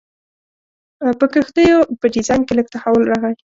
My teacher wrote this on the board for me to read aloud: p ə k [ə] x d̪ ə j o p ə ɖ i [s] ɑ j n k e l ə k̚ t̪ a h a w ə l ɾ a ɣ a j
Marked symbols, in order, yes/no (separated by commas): yes, no